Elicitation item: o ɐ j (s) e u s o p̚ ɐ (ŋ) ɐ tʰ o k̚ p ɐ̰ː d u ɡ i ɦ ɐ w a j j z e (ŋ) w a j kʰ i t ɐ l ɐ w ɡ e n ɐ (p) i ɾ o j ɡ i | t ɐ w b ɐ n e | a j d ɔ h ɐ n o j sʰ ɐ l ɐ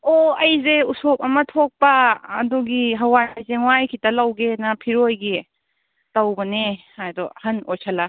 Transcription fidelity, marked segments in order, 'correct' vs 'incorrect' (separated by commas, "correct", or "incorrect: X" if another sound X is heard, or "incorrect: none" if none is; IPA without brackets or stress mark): incorrect: z, incorrect: m, correct, incorrect: pʰ